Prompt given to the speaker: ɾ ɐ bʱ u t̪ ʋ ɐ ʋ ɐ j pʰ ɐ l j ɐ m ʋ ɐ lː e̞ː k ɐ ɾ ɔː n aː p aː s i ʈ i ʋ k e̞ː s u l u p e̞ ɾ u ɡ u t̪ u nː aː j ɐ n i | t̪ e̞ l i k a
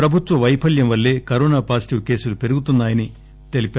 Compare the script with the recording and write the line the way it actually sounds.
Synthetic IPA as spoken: ɾ ɐ bʱ u t̪ ʋ ɐ ʋ ɐ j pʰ ɐ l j ɐ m ʋ ɐ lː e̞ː k ɐ ɾ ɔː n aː p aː s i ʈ i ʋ k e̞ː s u l u p e̞ ɾ u ɡ u t̪ u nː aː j ɐ n i | t̪ e̞ l i p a